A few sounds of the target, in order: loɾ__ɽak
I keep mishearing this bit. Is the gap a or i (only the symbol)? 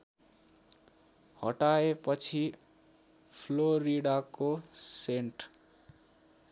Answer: i